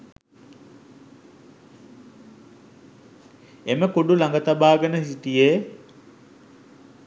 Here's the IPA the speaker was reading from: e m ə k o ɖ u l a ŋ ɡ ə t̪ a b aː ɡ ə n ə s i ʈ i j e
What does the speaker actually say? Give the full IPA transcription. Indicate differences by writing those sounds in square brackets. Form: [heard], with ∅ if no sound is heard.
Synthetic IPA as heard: e m ə k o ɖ u l a ŋ ɡ ə t̪ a b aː ɡ ə n ə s i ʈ i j e